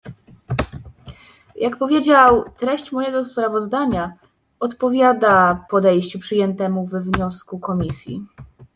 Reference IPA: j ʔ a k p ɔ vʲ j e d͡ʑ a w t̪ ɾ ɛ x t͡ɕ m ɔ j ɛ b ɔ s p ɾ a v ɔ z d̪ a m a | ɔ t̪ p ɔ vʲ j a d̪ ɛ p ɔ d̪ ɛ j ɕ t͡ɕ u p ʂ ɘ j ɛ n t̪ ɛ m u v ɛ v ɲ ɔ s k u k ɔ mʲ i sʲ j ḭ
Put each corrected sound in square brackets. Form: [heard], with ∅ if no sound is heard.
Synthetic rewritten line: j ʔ a k p ɔ vʲ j e d͡ʑ a w t̪ ɾ ɛ [ɕ] t͡ɕ m ɔ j ɛ [ɡ] ɔ s p ɾ a v ɔ z d̪ a [ɲ] a | ɔ t̪ p ɔ vʲ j a d̪ [a] p ɔ d̪ ɛ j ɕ t͡ɕ u p ʂ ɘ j ɛ n t̪ ɛ m u v ɛ v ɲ ɔ s k u k ɔ mʲ i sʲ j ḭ